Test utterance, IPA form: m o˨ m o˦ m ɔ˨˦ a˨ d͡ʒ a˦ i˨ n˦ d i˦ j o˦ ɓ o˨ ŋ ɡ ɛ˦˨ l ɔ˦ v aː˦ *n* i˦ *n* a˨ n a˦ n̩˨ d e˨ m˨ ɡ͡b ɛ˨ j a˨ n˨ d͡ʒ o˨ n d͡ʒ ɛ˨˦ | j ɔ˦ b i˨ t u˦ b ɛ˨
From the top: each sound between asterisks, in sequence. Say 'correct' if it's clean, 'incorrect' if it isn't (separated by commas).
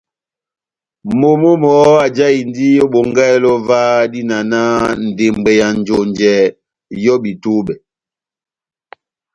incorrect, correct